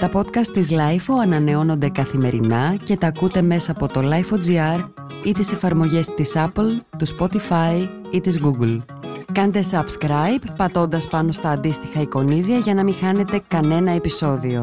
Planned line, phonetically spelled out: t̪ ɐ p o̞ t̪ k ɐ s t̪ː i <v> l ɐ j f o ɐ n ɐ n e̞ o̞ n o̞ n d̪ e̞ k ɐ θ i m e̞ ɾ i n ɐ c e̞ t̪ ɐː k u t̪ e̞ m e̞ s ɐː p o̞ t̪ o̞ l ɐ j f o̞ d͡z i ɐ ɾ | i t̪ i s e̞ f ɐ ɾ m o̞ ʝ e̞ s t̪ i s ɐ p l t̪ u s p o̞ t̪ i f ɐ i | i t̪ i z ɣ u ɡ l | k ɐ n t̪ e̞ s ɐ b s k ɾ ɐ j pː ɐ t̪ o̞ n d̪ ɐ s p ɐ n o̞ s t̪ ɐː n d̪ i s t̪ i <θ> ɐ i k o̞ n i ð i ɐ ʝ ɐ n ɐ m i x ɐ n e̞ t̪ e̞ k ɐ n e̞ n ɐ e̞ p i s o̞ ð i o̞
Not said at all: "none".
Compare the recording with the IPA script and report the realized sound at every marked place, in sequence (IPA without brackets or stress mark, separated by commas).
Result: z, x